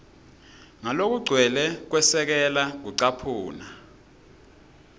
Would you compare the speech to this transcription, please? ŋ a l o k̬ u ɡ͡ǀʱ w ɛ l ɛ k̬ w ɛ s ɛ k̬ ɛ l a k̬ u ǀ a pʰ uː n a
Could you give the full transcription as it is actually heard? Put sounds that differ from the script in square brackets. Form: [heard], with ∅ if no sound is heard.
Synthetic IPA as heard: ŋ a l o k̬ u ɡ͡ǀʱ w ɛ l ɛ k̬ w ɛ s ɛ k̬ ɛ l a k̬ u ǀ a pʰ uː n a